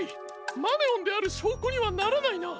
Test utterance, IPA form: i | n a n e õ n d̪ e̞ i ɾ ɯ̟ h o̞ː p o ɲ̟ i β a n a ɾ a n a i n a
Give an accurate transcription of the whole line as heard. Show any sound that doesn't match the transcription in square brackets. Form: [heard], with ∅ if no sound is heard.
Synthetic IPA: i | [m] a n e õ n d̪ e̞ [a] ɾ ɯ̟ [ɕ] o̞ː [k] o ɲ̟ i β a n a ɾ a n a i n a